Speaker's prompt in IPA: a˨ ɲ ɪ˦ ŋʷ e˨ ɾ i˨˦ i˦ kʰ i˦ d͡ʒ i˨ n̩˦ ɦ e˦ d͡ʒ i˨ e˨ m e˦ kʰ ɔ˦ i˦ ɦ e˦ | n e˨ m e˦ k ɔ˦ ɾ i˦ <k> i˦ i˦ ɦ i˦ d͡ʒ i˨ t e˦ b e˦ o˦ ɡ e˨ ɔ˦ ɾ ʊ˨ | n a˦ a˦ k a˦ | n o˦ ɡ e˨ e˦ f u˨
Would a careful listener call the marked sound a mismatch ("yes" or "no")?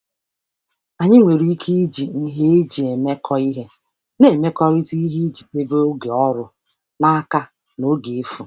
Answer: yes